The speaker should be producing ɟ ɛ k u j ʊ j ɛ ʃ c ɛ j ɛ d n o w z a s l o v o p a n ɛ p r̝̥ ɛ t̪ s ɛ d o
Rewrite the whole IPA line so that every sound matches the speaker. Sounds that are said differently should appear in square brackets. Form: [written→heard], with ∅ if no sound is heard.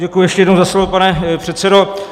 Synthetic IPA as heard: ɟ ɛ k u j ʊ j ɛ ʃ c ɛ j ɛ d n o w z a s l o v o p a n ɛ p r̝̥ ɛ t̪ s ɛ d o